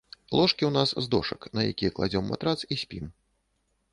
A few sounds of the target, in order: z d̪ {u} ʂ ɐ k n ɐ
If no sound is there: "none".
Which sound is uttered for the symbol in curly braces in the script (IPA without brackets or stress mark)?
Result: ɔ